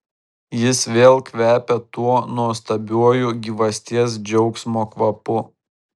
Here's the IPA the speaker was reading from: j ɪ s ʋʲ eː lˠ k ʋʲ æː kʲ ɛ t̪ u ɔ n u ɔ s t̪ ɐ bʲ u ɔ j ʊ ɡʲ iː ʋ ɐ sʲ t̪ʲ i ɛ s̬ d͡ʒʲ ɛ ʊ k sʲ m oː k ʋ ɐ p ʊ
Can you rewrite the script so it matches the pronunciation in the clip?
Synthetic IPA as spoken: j ɪ s ʋʲ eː lˠ k ʋʲ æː pʲ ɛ t̪ u ɔ n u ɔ s t̪ ɐ bʲ u ɔ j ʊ ɡʲ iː ʋ ɐ sʲ t̪ʲ i ɛ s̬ d͡ʒʲ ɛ ʊ k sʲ m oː k ʋ ɐ p ʊ